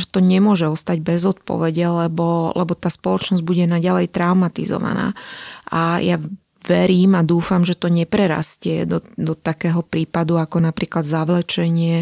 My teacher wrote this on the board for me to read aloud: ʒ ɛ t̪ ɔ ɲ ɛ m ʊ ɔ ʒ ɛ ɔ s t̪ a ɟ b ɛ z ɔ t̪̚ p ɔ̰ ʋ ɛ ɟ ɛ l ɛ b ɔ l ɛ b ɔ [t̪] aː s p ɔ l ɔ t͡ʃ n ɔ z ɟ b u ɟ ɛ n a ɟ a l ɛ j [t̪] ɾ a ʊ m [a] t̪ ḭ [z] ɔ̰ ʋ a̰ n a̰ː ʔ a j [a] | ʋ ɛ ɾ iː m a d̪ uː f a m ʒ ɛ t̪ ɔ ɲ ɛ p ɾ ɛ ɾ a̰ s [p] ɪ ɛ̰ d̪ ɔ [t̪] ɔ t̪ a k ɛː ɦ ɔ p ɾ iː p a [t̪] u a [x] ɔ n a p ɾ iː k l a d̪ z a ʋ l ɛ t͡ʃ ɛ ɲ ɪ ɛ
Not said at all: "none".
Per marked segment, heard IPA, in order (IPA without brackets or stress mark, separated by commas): t̪, t̪, a, z, a, c, d̪, d̪, k